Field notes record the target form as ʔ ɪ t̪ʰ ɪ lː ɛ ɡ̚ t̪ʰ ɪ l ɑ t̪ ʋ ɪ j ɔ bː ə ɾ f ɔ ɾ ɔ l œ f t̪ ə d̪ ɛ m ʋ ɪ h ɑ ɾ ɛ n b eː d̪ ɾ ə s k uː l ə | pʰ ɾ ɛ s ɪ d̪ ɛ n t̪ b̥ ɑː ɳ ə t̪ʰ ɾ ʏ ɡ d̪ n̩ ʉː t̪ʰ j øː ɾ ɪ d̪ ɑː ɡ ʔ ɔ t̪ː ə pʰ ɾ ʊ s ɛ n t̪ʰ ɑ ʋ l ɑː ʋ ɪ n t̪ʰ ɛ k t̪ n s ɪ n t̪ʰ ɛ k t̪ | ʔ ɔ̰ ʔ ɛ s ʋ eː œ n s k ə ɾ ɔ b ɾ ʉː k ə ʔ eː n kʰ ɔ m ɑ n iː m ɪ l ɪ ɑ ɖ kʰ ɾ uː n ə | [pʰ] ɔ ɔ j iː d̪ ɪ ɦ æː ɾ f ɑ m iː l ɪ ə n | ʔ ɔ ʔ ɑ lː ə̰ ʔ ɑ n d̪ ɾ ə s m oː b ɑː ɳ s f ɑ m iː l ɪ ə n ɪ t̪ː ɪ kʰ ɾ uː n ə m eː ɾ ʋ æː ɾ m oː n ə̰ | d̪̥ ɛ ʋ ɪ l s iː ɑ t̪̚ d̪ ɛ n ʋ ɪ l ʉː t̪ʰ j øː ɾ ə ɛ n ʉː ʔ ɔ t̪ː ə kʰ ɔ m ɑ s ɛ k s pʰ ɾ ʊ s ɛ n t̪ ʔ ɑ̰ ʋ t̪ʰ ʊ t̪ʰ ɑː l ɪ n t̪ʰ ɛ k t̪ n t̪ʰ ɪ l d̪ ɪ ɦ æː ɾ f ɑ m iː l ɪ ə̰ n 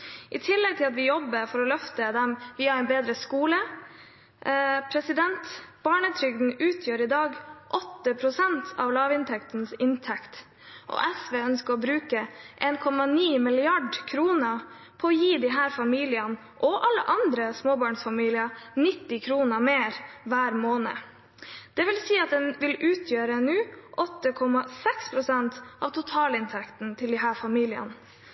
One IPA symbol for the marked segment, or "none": pʰ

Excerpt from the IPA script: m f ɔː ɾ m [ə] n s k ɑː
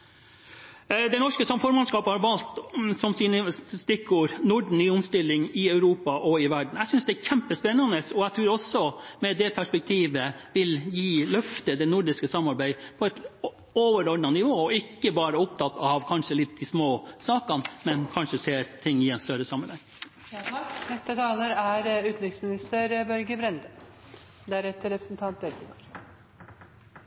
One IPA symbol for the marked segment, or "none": ɑ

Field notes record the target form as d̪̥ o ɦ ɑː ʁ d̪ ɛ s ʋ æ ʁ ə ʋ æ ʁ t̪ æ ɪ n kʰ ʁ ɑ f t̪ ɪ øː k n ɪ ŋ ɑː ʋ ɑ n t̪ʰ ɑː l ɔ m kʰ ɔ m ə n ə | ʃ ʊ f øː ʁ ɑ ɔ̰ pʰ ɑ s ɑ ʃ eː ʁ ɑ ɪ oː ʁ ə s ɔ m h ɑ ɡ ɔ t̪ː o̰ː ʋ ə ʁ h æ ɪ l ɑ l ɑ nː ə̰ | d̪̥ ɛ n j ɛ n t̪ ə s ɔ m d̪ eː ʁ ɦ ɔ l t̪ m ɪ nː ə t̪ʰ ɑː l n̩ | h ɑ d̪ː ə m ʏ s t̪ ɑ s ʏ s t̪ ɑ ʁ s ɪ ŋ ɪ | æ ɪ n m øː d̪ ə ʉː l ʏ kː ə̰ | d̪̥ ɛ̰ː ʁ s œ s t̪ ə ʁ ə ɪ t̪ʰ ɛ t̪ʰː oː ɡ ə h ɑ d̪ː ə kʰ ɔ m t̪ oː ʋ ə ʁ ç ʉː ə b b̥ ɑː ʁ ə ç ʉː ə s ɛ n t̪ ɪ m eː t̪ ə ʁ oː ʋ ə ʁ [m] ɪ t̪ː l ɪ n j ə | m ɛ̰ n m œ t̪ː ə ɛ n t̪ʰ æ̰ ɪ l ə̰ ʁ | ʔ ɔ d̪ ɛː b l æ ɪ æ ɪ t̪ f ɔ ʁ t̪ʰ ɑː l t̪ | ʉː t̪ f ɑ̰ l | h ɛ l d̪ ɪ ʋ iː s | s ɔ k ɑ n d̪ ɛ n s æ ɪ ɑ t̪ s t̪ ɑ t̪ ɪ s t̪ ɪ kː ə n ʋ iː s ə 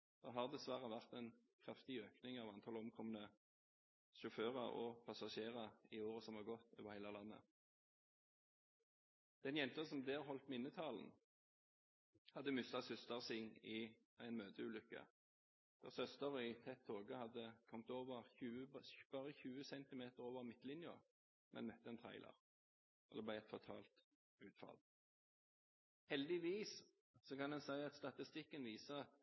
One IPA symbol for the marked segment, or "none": m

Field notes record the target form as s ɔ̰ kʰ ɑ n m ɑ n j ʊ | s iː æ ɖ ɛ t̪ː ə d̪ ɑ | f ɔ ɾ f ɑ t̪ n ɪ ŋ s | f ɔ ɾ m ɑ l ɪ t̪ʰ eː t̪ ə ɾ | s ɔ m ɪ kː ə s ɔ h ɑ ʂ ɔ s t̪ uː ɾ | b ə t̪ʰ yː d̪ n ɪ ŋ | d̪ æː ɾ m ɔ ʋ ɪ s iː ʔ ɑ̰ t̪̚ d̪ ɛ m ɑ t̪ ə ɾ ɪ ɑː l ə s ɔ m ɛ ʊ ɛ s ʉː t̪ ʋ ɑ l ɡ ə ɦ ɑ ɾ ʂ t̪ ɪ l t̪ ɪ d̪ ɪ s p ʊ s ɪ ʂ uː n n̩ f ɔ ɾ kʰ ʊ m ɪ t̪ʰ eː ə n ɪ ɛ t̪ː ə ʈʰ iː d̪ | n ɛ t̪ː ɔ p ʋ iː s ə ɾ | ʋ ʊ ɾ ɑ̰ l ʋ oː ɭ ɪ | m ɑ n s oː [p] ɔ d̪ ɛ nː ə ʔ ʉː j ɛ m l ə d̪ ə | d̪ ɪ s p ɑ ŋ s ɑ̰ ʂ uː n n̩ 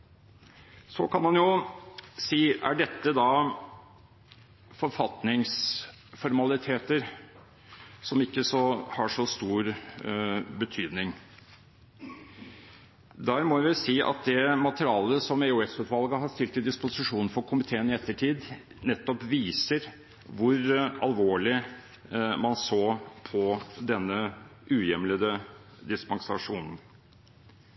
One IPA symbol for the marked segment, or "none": pʰ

